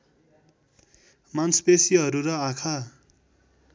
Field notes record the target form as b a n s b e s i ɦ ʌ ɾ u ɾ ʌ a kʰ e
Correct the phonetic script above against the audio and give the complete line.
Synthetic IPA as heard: m a n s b e s i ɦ ʌ ɾ u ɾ ʌ a kʰ a